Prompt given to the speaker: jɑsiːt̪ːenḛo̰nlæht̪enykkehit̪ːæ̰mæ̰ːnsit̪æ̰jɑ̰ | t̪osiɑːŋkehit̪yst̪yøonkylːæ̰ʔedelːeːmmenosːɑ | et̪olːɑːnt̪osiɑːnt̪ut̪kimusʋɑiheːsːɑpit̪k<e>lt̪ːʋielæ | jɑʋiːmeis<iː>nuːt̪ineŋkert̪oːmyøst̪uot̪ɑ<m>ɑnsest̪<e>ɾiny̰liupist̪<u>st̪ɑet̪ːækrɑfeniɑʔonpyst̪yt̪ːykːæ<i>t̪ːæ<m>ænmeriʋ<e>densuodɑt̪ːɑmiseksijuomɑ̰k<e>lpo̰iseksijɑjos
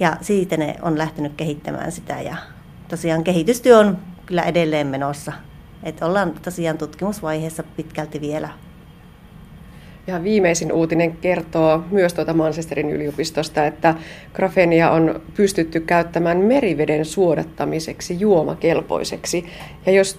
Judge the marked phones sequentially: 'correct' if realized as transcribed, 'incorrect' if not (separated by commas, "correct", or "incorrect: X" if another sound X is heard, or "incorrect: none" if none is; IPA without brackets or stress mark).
incorrect: æ, incorrect: i, correct, correct, incorrect: o, incorrect: y, correct, correct, correct